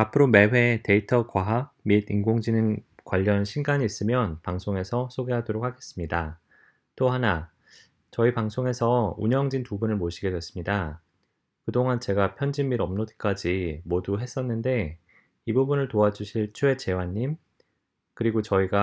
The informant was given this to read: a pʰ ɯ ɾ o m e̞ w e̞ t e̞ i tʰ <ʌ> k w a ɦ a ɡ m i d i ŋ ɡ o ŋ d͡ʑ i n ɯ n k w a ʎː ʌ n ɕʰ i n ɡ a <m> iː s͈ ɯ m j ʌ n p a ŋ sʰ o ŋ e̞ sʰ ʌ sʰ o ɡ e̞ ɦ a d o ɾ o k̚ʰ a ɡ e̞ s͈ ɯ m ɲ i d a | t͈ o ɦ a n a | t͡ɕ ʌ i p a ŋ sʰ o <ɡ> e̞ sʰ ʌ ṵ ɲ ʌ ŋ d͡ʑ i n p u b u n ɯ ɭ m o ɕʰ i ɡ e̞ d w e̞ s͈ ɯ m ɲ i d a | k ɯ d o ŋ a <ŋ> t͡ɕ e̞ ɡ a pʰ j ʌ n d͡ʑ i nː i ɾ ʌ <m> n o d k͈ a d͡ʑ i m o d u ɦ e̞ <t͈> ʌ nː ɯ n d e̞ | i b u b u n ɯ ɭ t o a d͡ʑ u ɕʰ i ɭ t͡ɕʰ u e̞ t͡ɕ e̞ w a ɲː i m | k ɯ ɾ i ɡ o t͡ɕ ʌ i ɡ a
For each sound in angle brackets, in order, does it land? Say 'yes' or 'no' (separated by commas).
yes, no, no, no, yes, no